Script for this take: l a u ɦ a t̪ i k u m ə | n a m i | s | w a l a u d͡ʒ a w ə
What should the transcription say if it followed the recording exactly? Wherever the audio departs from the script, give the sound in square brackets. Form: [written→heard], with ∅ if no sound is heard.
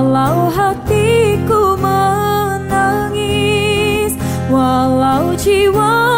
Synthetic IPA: l a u ɦ a t̪ i k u m ə | n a [m→ŋ] i | s | w a l a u d͡ʒ [a→i] w [ə→a]